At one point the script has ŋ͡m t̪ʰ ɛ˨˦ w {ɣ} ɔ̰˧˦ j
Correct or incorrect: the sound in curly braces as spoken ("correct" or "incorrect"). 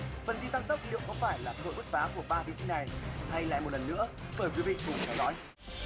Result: incorrect